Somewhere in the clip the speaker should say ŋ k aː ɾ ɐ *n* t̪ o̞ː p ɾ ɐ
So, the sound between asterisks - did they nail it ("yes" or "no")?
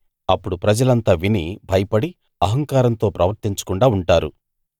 yes